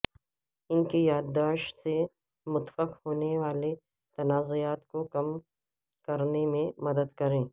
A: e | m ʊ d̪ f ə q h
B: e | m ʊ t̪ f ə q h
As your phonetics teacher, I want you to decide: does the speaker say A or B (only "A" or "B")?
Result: B